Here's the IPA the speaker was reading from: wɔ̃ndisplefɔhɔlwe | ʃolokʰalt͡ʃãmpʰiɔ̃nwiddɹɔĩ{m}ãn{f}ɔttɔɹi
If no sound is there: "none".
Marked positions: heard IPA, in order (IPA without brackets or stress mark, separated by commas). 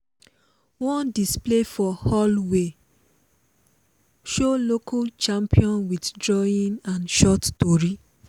n, ʃ